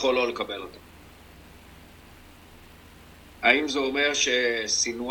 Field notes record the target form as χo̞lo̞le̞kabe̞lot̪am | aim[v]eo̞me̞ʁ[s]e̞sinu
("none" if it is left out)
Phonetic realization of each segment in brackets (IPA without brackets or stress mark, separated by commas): z, ʃ